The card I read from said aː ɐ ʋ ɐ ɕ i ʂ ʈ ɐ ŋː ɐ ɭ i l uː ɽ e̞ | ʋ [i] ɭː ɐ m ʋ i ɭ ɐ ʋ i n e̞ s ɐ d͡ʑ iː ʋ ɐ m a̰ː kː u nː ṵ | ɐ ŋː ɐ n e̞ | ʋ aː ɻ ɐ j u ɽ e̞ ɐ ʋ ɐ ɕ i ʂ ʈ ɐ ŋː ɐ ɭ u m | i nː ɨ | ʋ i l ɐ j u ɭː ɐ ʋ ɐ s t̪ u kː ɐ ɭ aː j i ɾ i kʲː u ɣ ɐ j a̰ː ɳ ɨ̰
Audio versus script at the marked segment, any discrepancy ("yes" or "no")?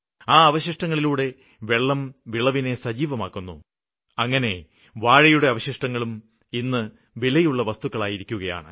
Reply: yes